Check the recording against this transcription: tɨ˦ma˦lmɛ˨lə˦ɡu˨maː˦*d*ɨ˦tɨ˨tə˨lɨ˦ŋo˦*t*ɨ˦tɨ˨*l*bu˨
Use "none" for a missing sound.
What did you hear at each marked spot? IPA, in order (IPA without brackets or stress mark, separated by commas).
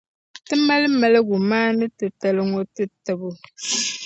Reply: n, t, none